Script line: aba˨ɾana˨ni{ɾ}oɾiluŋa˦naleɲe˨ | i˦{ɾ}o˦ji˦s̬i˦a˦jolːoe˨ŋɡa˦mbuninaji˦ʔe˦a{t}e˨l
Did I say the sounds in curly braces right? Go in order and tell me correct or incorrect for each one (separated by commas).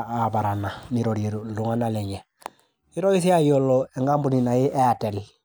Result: correct, correct, correct